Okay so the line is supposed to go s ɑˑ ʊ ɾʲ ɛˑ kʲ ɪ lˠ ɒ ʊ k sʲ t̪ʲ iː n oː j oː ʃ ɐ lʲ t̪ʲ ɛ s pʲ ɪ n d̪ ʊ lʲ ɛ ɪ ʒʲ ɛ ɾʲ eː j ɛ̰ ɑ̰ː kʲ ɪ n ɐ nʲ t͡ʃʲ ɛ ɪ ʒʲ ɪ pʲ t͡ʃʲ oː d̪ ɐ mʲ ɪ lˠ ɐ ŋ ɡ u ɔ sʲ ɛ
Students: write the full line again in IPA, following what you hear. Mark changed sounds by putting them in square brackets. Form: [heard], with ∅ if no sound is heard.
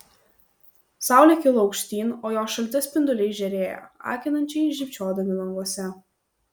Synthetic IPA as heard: s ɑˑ ʊ [lʲ] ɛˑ kʲ ɪ lˠ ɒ ʊ k [ʃʲ] t̪ʲ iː n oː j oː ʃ ɐ lʲ t̪ʲ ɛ s pʲ ɪ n d̪ ʊ lʲ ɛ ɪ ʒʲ ɛ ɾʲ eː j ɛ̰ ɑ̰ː kʲ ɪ n ɐ nʲ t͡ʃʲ ɛ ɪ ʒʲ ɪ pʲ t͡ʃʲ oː d̪ ɐ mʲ ɪ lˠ ɐ ŋ ɡ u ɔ sʲ ɛ